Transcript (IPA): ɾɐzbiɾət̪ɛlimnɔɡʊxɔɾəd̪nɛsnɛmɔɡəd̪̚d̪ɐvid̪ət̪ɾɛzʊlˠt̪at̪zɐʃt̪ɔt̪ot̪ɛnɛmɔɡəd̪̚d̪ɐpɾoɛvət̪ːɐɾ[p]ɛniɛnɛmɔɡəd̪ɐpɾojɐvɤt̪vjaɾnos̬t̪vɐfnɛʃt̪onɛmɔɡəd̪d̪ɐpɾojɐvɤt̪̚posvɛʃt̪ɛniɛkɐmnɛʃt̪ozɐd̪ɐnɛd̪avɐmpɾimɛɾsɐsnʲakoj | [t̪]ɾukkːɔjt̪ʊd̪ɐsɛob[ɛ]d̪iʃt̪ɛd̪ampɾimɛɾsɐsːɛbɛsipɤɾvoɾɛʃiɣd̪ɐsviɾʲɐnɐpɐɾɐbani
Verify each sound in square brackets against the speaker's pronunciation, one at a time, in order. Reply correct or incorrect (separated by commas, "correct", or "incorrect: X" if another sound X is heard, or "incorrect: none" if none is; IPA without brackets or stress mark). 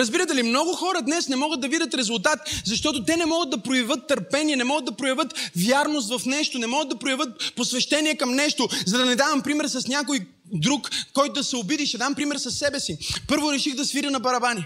correct, incorrect: d̪, incorrect: i